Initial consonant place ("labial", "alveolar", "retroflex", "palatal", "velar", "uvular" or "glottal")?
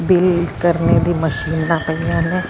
labial